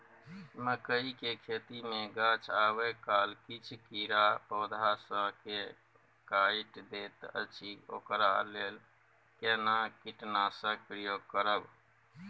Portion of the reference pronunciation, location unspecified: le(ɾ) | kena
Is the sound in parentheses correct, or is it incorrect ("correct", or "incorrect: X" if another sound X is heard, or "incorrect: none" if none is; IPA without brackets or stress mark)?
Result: incorrect: l